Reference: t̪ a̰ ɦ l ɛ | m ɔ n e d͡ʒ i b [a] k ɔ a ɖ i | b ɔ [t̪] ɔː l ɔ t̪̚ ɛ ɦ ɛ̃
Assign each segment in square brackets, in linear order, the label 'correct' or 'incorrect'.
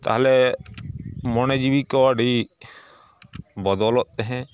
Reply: incorrect: i, incorrect: d̪

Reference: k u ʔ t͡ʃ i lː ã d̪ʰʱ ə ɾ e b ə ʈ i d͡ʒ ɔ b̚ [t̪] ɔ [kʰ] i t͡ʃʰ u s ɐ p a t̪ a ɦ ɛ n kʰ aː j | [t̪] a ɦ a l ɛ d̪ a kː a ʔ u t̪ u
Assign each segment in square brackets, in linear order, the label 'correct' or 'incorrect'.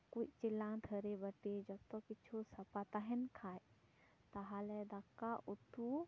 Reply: correct, incorrect: k, correct

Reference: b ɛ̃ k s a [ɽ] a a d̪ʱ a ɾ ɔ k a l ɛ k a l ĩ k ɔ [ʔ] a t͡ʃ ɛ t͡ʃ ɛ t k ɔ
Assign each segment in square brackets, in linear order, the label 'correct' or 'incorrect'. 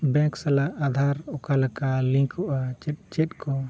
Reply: incorrect: l, correct

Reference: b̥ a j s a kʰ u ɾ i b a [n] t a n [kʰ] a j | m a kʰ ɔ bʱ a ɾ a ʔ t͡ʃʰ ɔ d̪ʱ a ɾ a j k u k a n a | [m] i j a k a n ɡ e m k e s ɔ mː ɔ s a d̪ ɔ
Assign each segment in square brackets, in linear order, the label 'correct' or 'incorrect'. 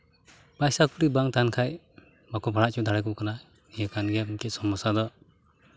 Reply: incorrect: ŋ, correct, incorrect: n

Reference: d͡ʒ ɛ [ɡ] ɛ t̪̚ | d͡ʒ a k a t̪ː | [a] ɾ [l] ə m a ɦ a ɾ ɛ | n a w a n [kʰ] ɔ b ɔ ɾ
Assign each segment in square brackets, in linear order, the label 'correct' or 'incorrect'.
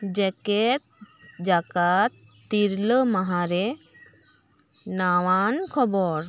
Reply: incorrect: k, incorrect: i, correct, correct

